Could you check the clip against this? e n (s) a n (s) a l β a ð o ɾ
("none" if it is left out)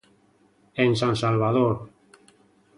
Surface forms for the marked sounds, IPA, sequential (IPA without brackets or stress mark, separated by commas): s, s